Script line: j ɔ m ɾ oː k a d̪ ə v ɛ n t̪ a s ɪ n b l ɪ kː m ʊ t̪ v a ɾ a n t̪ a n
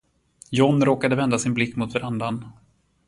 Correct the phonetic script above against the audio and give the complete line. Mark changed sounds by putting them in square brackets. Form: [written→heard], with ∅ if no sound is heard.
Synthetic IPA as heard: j ɔ [m→n] ɾ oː k a d̪ ə v ɛ n [t̪→d̪] a s ɪ n b l ɪ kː m ʊ t̪ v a ɾ a n [t̪→d̪] a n